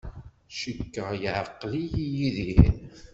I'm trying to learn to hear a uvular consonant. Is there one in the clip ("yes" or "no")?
yes